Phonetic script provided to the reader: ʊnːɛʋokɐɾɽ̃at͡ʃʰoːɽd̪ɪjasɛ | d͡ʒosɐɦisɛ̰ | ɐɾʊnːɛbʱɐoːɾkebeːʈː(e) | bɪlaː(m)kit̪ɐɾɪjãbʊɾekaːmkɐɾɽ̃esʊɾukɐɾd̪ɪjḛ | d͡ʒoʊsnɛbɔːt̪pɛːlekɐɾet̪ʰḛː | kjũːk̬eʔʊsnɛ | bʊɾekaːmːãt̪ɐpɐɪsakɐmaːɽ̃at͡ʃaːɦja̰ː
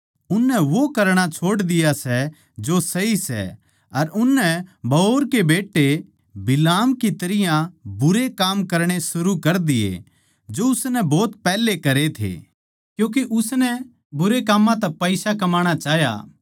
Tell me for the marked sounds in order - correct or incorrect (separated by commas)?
correct, correct